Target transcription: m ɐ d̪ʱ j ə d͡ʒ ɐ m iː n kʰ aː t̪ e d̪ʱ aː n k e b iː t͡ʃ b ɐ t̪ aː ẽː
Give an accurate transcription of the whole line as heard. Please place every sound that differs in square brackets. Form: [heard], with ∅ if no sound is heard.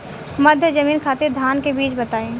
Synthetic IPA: m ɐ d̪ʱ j ə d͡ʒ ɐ m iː n kʰ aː t̪ e d̪ʱ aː n k e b iː t͡ʃ b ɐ t̪ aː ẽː